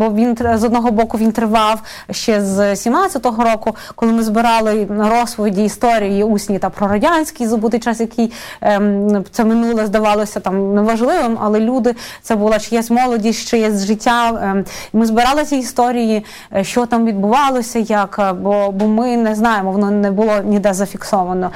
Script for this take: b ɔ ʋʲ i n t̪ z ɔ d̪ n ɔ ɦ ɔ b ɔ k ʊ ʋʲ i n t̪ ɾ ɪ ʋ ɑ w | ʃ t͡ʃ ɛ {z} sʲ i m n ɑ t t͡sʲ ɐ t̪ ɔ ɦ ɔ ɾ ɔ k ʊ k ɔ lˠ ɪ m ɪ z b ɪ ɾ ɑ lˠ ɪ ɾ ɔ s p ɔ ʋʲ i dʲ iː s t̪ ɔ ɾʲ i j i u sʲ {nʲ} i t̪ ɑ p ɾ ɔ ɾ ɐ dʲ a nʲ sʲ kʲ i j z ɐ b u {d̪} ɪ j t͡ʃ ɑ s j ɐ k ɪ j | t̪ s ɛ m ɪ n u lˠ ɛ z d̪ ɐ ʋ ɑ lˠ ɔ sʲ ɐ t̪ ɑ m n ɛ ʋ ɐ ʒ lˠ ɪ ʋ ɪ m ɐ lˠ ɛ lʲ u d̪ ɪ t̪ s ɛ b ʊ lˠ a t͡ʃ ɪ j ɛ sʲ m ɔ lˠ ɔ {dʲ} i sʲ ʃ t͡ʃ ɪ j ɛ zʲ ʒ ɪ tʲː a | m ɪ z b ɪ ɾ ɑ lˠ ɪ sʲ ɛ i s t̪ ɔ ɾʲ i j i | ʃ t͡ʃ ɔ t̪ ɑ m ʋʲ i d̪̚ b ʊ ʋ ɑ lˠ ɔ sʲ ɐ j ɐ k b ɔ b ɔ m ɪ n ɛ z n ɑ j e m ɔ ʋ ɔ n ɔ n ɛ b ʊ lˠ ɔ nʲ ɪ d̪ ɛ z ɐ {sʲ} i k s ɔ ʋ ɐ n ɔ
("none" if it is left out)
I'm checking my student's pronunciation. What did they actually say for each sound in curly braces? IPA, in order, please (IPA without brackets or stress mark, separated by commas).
z, nʲ, t̪, dʲ, fʲ